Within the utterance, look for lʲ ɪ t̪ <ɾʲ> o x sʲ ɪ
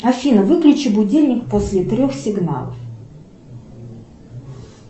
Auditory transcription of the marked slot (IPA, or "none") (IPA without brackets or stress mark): ɾʲ